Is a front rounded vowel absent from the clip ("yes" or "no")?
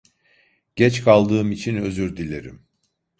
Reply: no